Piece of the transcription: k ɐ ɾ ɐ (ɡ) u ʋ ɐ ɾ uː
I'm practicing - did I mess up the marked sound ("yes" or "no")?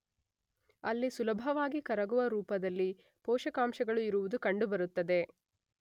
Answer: no